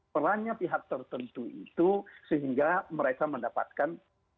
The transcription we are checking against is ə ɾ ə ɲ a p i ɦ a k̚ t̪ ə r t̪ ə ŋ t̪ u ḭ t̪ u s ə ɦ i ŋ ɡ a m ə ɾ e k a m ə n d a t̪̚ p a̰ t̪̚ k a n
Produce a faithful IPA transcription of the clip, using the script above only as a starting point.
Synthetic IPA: ə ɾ a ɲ a p i ɦ a k̚ t̪ ə r t̪ ə n t̪ u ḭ t̪ u s ə ɦ i ŋ ɡ a m ə ɾ e k a m ə n d a p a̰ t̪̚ k a n